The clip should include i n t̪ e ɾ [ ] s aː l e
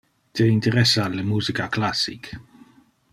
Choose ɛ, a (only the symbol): ɛ